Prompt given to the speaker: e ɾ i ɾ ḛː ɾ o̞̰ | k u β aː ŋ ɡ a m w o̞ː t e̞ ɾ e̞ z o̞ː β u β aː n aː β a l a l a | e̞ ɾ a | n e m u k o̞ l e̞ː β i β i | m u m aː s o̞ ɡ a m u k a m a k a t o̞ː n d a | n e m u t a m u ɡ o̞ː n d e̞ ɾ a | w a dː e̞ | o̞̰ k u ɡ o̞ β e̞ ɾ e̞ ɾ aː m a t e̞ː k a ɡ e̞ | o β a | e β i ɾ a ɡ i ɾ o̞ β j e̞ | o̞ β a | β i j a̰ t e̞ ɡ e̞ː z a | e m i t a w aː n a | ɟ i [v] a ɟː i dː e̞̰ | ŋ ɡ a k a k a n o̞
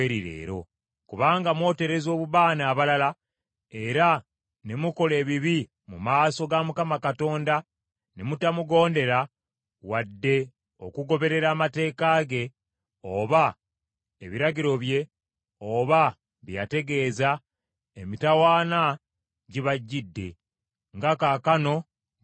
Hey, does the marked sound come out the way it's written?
no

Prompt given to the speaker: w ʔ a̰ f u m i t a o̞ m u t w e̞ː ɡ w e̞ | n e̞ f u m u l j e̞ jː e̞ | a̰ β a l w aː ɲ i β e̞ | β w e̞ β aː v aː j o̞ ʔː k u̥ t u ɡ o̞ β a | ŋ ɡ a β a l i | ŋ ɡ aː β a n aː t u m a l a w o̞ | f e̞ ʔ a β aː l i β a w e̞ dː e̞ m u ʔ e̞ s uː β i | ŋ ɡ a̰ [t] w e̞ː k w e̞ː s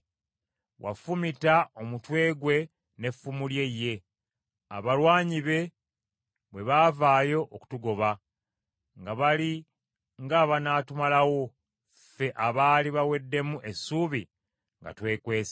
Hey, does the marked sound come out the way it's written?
yes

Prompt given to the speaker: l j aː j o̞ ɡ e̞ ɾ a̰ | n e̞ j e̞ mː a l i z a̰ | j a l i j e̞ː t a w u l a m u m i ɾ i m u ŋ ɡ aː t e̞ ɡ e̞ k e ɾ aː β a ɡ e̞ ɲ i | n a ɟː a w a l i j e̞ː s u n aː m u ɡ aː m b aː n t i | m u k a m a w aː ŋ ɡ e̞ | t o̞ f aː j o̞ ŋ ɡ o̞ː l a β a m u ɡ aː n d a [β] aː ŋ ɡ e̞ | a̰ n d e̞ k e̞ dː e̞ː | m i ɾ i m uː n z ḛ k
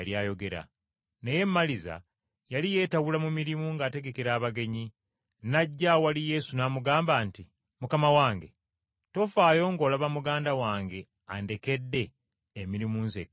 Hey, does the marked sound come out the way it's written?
no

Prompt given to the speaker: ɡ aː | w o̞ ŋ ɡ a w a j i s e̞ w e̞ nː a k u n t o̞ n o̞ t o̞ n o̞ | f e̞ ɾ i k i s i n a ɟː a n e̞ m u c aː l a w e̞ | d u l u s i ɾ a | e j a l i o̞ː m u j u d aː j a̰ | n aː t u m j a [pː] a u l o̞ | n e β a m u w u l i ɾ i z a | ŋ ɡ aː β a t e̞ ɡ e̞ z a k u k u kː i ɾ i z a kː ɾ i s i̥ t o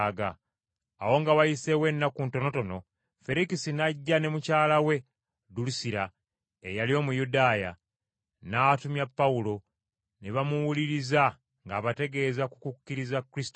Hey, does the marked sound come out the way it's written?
yes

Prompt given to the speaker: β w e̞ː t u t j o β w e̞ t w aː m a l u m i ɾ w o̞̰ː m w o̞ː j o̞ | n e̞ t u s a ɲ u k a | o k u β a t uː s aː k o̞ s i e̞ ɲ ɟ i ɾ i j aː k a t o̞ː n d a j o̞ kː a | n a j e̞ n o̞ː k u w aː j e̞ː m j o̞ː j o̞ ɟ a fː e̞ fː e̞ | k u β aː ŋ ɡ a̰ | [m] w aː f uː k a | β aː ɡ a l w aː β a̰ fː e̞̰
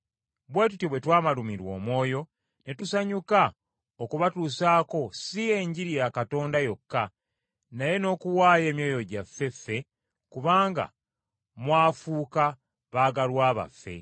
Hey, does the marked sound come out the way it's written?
yes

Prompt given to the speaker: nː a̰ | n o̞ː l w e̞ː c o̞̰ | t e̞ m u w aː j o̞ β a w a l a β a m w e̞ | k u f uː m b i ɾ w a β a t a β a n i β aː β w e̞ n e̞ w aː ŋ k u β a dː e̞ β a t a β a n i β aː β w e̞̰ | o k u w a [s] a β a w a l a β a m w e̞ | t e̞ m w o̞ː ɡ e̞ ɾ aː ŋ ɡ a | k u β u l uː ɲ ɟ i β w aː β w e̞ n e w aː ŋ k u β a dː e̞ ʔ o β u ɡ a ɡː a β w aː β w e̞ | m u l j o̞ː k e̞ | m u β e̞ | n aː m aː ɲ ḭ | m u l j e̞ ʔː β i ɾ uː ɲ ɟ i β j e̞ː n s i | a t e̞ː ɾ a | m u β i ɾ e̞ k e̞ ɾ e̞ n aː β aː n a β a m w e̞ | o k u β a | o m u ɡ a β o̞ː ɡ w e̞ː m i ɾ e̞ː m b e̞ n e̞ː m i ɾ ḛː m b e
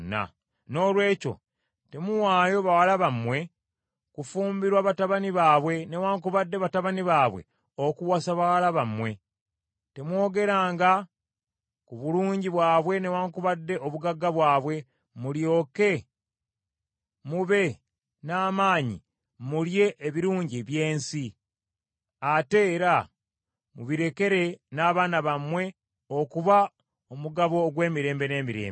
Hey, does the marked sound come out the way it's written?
yes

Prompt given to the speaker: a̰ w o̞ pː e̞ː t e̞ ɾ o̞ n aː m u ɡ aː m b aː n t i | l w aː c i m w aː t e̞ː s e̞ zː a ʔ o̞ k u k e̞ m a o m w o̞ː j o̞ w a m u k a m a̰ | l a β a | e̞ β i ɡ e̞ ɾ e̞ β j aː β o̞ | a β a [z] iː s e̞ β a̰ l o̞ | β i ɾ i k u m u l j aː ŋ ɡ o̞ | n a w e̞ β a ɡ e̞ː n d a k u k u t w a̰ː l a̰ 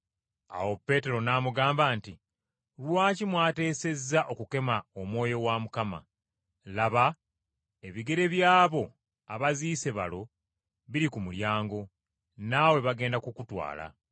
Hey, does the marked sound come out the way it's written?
yes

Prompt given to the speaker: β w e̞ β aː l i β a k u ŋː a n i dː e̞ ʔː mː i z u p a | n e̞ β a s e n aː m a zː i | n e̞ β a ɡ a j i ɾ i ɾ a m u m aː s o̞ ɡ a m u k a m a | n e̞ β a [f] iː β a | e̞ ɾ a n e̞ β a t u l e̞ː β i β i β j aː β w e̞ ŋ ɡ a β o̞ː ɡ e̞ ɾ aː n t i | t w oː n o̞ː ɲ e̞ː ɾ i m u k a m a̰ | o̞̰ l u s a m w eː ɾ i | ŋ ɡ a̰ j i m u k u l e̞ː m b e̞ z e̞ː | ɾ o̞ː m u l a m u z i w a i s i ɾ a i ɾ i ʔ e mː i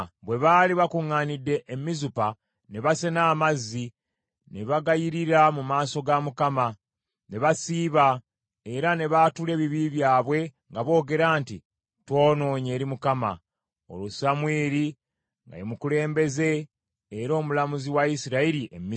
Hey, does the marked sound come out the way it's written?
no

